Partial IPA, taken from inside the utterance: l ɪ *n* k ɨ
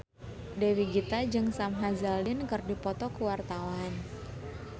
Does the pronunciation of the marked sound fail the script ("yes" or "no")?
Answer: no